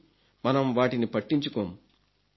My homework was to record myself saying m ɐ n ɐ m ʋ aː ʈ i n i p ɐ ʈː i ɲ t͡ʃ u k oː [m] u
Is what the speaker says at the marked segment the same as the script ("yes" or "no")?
yes